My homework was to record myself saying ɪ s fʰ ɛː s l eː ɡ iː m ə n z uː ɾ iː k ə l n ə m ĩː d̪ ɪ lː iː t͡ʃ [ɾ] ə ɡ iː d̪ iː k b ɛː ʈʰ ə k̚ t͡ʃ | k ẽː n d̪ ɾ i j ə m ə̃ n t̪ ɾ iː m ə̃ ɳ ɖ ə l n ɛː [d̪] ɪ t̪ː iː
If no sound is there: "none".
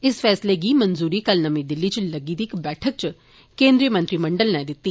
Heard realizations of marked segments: l, d̪

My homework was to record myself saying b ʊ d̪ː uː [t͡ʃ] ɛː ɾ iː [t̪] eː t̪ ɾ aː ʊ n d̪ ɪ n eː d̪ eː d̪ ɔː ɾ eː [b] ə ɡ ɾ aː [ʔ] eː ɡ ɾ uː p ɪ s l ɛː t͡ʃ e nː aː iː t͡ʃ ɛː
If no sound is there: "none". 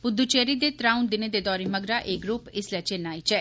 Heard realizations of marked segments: t͡ʃ, d̪, m, ʔ

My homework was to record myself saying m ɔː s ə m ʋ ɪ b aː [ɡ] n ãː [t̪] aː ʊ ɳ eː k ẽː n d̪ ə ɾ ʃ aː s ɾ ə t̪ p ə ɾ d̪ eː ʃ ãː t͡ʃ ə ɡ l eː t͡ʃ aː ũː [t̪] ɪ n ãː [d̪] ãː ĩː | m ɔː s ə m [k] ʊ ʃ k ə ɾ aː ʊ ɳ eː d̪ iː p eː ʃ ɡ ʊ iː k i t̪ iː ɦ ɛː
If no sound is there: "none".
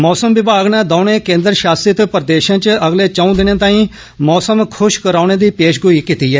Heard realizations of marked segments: ɡ, d̪, d̪, t̪, kʰ

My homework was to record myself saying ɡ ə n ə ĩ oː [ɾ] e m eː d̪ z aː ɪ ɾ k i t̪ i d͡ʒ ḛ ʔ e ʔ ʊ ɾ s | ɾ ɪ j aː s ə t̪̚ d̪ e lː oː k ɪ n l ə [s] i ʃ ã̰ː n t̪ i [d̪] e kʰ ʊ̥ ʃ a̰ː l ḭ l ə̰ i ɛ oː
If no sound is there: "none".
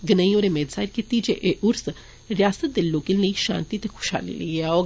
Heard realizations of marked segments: ɾ, none, t̪

